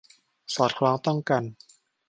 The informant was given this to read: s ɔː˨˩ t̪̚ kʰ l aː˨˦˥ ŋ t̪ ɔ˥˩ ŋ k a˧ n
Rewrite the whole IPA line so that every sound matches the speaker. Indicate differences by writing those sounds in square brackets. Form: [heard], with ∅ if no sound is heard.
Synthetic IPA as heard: s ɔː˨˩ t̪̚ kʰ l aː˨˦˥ ŋ t̪ ɔ˥˩ ŋ k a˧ n